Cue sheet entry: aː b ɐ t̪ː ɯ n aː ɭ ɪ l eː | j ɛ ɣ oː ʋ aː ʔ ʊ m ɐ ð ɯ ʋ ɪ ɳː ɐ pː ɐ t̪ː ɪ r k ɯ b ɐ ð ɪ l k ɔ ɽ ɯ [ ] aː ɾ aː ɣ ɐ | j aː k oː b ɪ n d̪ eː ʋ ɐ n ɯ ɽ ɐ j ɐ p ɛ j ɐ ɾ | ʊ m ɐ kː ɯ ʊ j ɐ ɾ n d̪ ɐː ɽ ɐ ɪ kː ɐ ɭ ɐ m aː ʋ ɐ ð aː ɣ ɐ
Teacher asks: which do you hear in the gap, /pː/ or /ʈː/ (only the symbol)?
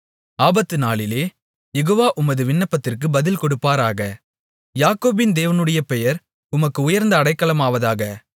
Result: pː